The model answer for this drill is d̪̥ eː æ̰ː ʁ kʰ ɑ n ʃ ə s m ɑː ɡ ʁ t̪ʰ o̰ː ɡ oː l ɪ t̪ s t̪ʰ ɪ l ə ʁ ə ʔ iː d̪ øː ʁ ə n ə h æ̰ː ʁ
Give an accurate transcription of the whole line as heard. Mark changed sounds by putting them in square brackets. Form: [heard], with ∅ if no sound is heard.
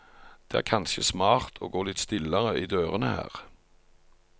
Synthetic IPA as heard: d̪̥ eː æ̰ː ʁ kʰ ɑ n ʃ ə s m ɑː [∅] ʁ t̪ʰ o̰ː ɡ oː l ɪ t̪ s [t̪] ɪ l ə ʁ ə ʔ iː d̪ øː ʁ ə n ə h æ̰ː ʁ